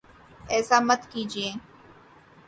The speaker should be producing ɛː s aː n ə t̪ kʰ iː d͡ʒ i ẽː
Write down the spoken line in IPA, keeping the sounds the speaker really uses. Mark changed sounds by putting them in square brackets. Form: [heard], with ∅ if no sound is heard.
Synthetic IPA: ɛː s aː [m] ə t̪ [k] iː d͡ʒ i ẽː